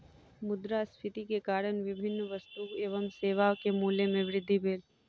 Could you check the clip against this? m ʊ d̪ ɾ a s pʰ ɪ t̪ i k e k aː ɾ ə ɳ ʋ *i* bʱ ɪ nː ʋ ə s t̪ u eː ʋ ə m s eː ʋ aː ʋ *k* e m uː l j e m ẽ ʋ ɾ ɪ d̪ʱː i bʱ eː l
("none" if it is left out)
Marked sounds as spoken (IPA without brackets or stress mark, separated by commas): ɪ, k